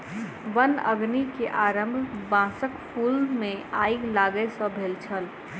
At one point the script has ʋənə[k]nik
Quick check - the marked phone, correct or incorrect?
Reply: incorrect